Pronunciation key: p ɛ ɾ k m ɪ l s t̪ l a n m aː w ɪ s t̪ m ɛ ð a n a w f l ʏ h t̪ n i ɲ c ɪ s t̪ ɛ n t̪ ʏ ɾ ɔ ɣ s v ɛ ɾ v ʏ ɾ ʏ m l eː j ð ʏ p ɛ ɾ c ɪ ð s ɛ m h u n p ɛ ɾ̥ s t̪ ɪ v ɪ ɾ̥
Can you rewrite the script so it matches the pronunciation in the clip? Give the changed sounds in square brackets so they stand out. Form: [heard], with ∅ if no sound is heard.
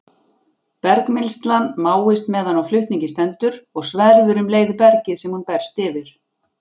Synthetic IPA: p ɛ ɾ k m ɪ l s t̪ l a n m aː w ɪ s t̪ m ɛ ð a n a w f l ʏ h t̪ n i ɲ c ɪ s t̪ ɛ n t̪ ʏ ɾ ɔ ɣ s v ɛ ɾ v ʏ ɾ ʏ m l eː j ð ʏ p ɛ ɾ c ɪ ð s ɛ m h u n p ɛ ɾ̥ s t̪ ɪ v ɪ ɾ̥